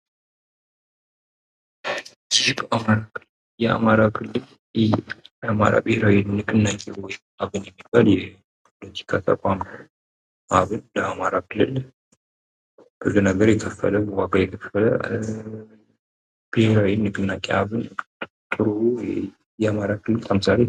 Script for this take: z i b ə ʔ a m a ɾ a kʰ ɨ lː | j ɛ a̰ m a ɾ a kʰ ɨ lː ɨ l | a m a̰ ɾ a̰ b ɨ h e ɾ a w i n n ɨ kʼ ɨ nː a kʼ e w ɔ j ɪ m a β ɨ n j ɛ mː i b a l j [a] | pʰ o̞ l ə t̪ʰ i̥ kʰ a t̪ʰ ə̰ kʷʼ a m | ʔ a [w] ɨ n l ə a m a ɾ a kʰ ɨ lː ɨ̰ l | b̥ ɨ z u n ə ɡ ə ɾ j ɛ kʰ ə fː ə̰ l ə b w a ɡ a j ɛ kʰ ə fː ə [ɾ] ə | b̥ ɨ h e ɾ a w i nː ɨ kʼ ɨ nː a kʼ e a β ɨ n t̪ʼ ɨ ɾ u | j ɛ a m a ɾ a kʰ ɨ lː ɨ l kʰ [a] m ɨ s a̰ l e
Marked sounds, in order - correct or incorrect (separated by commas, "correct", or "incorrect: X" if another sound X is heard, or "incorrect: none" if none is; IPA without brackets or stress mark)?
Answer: incorrect: ɛ, incorrect: β, incorrect: l, incorrect: ə